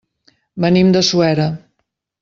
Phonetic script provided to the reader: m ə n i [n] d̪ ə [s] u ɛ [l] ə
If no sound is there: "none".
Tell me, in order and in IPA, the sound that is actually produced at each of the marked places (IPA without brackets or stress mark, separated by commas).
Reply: m, s, ɾ